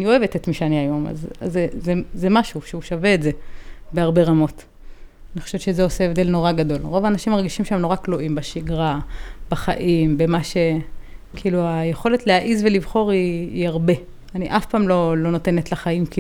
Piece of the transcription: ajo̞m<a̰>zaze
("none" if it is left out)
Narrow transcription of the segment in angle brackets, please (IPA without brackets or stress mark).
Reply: a̰